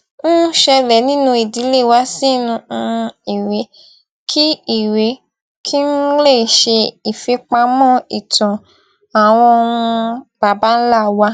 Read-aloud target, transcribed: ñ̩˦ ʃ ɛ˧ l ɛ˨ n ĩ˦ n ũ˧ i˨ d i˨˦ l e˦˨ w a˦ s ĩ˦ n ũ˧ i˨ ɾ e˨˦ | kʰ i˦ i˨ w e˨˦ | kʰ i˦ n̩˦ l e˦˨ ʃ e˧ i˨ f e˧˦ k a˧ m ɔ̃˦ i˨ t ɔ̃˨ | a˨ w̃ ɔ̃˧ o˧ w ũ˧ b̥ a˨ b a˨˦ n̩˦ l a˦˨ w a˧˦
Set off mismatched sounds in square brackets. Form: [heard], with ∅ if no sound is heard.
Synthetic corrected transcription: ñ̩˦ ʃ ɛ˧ l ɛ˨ n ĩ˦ n ũ˧ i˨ d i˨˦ l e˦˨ w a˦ s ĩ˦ n ũ˧ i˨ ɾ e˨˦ | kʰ i˦ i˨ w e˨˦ | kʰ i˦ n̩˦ l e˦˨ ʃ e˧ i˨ f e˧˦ [k͡p] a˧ m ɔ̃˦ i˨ t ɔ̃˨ | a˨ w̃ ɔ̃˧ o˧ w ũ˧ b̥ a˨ b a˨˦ n̩˦ l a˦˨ w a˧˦

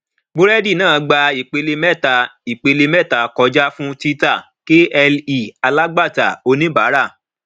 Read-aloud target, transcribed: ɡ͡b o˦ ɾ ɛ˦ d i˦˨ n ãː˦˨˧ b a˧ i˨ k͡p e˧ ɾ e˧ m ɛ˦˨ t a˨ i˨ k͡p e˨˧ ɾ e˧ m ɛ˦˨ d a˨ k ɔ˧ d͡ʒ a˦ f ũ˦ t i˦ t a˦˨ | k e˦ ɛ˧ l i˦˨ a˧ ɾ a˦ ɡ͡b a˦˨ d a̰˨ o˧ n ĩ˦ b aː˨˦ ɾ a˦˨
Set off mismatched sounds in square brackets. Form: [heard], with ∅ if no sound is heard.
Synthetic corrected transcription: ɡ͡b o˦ ɾ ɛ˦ d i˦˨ n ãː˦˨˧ [ɡ͡b] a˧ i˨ k͡p e˧ [l] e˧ m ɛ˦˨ t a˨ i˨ k͡p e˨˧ [l] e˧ m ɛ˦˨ [t] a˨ k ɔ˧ d͡ʒ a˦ f ũ˦ t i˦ t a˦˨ | k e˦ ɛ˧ l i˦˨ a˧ [l] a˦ ɡ͡b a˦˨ [t] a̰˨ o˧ n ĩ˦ b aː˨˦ ɾ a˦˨

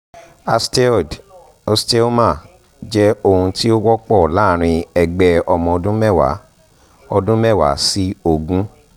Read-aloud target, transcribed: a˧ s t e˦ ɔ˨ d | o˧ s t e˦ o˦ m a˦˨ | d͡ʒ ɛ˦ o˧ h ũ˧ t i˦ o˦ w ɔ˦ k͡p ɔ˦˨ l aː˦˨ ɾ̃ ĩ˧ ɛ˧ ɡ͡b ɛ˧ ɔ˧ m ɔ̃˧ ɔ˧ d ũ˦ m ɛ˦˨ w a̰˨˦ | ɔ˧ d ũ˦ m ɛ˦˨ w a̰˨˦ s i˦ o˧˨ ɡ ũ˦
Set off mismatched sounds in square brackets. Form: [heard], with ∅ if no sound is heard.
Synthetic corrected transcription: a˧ s t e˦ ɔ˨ d | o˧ s t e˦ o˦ m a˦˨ | d͡ʒ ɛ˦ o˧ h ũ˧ t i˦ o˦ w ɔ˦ k͡p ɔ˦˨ l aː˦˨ ɾ̃ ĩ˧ ɛ˧ ɡ͡b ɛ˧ ɔ˧ m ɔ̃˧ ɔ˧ d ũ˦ m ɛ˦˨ w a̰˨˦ | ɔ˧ d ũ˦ m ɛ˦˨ w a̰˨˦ s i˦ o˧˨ ɡ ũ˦

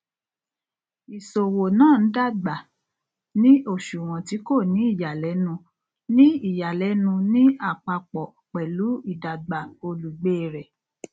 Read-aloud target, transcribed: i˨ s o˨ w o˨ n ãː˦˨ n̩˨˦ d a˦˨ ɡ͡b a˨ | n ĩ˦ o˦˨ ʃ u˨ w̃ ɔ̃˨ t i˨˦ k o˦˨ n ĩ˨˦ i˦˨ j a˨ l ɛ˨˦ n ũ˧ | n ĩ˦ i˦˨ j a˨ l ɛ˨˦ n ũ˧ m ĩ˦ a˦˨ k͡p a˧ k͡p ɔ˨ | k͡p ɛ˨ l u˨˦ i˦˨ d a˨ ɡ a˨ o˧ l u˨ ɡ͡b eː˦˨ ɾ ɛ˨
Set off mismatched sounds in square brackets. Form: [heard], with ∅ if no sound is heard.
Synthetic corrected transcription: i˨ s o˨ w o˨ n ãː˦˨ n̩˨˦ d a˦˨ ɡ͡b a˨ | n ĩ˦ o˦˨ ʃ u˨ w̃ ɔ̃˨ t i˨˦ k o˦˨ n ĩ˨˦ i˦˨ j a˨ l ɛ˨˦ n ũ˧ | n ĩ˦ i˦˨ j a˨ l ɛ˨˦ n ũ˧ [n] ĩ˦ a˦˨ k͡p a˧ k͡p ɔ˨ | k͡p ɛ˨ l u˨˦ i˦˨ d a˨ [ɡ͡b] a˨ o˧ l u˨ ɡ͡b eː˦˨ ɾ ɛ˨

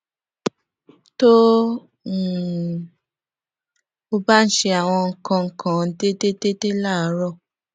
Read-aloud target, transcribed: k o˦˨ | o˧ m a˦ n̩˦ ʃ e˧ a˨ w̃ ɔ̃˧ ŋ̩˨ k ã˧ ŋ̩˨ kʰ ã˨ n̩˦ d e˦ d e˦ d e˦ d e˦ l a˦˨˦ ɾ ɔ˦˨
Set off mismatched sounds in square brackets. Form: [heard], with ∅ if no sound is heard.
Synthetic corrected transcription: [t] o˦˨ | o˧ [b] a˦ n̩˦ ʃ e˧ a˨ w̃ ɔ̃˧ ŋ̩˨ k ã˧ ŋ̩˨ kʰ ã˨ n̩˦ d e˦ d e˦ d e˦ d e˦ l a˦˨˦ ɾ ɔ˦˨

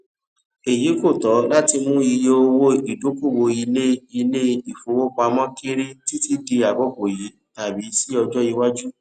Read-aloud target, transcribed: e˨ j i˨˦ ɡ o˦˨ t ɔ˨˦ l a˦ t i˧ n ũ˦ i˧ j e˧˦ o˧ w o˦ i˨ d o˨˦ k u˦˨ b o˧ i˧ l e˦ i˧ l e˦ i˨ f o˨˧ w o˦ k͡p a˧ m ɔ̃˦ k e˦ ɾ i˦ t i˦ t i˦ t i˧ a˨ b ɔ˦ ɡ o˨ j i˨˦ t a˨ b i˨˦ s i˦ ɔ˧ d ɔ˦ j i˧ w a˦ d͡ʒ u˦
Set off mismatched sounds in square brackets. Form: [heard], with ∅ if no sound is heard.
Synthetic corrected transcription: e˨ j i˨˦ [k] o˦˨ t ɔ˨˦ l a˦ t i˧ [m] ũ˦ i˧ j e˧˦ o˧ w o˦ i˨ d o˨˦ k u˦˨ [w] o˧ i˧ l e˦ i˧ l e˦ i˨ f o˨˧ w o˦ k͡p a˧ m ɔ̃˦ k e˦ ɾ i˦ t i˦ t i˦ [d] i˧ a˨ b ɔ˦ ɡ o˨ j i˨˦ t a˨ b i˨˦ s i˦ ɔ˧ [d͡ʒ] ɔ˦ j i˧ w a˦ d͡ʒ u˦

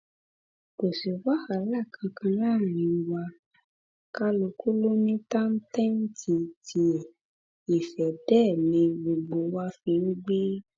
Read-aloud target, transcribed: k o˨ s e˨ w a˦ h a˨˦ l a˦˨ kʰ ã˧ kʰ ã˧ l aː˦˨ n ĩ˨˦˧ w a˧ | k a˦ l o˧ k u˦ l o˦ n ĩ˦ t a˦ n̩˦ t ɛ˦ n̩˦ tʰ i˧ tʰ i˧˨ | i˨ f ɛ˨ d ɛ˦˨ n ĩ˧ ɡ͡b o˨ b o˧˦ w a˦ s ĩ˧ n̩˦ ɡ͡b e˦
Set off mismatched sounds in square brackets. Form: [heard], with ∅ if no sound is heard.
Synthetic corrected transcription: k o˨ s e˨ w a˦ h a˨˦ l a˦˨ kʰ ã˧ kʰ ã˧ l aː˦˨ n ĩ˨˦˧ w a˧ | k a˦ l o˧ k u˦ l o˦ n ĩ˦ t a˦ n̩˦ t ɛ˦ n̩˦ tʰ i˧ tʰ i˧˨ | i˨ f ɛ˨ d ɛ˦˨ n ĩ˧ ɡ͡b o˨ [ɡ͡b] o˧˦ w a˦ [f] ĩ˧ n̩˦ ɡ͡b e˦

